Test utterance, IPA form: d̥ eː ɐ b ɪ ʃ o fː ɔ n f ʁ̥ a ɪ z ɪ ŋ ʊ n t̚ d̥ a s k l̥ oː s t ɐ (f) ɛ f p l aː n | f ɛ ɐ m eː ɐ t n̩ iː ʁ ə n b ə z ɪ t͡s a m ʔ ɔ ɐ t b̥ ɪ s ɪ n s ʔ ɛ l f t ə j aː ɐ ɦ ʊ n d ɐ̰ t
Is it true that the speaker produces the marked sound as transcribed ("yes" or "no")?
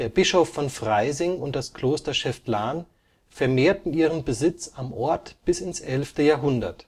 no